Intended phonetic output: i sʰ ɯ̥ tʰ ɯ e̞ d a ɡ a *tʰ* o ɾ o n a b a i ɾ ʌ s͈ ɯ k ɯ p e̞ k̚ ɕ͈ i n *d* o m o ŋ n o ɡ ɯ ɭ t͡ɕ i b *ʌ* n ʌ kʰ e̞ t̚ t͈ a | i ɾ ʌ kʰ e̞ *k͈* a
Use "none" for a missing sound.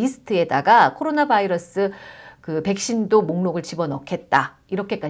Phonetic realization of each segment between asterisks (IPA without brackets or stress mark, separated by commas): kʰ, d, ʌ, k͈